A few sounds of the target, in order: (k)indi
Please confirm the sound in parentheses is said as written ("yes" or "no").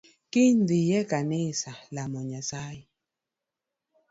yes